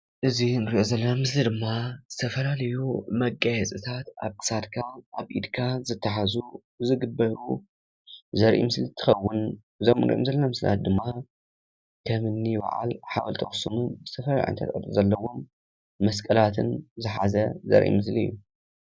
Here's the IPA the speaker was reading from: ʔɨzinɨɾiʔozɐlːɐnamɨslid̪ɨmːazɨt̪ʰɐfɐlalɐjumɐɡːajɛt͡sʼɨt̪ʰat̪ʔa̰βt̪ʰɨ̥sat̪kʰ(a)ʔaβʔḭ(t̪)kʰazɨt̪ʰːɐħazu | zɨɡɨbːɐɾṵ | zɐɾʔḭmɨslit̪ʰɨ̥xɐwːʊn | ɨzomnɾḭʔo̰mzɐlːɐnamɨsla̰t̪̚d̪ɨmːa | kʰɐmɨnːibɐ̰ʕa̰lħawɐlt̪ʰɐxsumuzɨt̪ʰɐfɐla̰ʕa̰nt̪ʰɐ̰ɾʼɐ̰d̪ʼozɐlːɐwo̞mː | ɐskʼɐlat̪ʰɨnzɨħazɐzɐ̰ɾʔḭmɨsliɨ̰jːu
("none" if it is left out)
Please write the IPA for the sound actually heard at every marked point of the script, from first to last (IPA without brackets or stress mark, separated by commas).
a, d̪